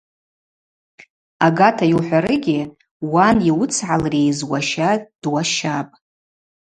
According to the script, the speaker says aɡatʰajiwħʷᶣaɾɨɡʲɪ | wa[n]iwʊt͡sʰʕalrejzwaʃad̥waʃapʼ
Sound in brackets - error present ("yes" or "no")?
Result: no